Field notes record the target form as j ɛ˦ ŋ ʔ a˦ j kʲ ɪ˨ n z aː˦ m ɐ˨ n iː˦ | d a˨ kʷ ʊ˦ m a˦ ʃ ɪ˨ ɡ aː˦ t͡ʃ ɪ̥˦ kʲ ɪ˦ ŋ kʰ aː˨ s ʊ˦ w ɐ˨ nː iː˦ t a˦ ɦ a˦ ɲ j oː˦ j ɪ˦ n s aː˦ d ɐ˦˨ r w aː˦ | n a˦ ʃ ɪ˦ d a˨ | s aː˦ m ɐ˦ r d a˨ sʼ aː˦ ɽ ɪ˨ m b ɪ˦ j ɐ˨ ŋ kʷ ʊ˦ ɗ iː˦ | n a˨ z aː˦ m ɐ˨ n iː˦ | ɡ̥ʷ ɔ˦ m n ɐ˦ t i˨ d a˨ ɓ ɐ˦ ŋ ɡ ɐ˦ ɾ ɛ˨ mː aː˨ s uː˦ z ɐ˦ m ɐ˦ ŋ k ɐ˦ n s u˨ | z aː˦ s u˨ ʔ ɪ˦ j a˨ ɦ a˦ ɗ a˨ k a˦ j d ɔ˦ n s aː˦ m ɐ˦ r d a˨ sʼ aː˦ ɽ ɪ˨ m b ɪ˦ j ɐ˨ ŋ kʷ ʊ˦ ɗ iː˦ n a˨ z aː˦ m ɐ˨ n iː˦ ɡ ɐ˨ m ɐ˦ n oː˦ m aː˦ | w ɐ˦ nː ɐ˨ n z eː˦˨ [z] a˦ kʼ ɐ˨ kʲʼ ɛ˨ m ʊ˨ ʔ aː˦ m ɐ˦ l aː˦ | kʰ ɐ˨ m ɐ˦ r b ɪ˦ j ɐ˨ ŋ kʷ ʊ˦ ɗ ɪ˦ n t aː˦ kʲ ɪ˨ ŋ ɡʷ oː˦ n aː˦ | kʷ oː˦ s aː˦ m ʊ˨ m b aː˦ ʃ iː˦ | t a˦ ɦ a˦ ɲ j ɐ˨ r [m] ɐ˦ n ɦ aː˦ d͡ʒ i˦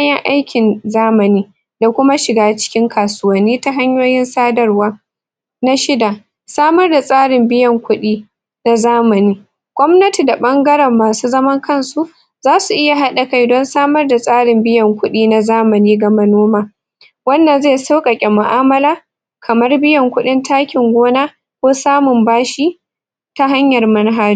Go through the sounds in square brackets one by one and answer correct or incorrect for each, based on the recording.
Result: incorrect: s, correct

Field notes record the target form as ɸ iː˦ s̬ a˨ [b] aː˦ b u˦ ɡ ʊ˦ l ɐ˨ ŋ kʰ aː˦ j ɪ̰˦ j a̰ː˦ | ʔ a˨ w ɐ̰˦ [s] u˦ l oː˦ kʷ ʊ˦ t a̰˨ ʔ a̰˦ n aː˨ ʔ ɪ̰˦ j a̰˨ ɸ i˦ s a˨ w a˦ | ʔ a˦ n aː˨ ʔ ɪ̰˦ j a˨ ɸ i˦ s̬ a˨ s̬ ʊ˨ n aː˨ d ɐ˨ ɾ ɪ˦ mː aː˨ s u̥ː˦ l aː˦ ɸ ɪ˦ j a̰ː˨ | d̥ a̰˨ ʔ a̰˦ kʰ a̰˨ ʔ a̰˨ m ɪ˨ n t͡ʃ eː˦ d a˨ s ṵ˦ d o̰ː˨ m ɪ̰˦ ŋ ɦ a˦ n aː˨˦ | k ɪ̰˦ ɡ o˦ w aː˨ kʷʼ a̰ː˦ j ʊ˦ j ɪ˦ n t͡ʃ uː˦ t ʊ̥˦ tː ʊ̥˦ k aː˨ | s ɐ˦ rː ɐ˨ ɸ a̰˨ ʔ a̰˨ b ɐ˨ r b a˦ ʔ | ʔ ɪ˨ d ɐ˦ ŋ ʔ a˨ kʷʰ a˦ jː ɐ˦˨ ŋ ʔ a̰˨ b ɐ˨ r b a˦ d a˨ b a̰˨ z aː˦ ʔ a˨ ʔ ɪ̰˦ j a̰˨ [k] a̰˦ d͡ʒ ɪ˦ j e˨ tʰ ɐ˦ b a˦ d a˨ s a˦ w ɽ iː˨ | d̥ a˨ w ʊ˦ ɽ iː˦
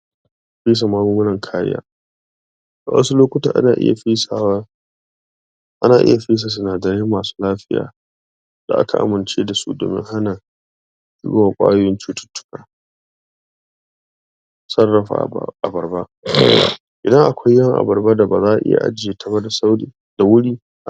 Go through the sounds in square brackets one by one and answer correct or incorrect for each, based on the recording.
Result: incorrect: m, correct, incorrect: ʔ

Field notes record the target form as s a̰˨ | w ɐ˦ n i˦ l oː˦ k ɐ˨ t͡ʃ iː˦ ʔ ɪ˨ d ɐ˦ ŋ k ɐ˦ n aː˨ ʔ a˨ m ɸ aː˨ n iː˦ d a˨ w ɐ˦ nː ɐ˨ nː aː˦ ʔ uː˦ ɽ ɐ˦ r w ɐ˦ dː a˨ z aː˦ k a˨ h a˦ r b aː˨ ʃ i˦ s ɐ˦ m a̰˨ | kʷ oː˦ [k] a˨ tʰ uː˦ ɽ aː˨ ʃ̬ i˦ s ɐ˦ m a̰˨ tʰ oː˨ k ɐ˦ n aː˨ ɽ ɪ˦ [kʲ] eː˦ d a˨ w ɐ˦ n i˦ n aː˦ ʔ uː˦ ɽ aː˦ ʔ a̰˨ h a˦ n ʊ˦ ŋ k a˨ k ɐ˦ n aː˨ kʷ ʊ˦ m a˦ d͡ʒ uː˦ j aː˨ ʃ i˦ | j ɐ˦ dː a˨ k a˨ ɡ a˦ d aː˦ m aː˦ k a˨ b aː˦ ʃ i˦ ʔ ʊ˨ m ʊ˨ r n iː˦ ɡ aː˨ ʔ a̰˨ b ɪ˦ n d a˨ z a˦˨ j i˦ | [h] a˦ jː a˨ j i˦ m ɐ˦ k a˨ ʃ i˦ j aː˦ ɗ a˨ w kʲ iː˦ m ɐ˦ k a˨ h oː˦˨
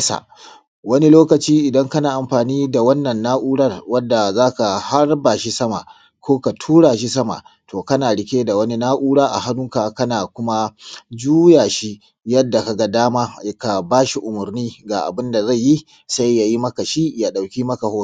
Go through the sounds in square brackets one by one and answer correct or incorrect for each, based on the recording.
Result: correct, correct, incorrect: s

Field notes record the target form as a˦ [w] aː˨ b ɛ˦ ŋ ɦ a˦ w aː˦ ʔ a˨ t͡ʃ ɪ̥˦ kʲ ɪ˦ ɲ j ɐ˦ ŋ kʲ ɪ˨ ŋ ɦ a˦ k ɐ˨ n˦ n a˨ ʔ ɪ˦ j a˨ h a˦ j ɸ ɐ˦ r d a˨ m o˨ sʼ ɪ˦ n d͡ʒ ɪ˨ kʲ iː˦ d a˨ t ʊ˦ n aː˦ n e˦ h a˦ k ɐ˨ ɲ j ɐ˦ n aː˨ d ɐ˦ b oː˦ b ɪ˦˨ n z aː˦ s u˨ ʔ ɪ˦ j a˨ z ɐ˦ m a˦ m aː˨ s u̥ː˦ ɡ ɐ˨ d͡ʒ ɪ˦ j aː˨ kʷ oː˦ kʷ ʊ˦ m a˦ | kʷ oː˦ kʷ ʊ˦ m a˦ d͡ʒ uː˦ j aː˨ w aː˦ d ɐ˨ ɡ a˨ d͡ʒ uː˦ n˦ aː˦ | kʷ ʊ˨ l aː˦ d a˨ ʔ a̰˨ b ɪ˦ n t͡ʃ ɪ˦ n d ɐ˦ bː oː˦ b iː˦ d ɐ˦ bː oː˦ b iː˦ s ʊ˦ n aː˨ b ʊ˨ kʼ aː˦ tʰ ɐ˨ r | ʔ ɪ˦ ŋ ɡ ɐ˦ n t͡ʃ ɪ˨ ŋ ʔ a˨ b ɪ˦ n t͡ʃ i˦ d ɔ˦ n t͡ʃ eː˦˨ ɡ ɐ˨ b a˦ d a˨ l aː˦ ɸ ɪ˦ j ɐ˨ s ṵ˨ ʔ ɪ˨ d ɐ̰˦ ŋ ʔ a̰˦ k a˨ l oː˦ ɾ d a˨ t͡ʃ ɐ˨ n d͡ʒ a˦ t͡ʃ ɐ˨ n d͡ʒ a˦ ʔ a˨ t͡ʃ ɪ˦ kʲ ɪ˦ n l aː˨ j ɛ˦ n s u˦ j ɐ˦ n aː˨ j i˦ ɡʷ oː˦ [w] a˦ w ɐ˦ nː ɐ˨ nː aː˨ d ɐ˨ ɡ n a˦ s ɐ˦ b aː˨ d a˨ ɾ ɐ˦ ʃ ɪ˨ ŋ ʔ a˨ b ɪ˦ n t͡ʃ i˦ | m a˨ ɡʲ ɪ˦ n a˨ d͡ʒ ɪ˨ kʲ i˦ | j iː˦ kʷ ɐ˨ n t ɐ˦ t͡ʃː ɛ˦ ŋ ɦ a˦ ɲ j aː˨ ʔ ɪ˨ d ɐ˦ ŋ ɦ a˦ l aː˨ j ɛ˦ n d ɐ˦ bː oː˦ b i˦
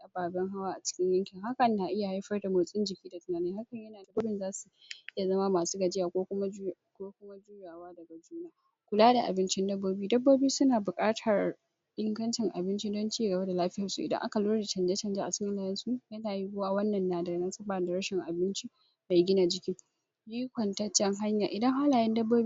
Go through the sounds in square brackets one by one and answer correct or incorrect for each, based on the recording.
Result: incorrect: b, correct

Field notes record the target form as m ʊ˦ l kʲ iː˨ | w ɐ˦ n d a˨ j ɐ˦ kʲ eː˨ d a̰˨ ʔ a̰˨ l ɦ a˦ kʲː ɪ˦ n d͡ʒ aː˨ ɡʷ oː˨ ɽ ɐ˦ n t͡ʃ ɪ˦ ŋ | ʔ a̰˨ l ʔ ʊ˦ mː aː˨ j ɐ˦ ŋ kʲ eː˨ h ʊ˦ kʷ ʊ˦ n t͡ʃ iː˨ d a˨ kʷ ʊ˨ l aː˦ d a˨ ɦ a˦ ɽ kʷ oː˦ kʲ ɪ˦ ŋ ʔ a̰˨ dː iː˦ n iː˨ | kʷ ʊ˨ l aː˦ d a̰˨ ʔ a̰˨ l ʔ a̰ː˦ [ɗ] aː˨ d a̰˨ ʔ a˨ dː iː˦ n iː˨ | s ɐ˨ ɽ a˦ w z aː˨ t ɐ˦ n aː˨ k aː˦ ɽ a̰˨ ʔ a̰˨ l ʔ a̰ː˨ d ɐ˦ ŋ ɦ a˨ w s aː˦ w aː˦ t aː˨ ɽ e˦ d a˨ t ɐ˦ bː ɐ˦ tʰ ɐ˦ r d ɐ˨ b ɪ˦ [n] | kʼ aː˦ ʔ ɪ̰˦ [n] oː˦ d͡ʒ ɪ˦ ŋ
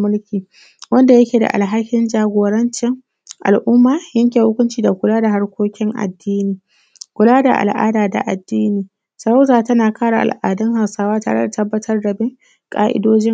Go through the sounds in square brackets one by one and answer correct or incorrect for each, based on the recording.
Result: incorrect: d, incorrect: ŋ, incorrect: d

